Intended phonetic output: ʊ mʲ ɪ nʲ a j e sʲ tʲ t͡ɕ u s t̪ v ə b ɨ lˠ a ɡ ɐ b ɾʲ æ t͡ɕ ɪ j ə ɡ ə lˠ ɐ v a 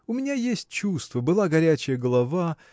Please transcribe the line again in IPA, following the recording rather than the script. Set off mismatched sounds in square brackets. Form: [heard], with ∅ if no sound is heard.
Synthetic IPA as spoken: ʊ mʲ ɪ nʲ a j e sʲ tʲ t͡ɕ u s t̪ v ə b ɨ lˠ a ɡ ɐ [∅] ɾʲ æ t͡ɕ ɪ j ə ɡ ə lˠ ɐ v a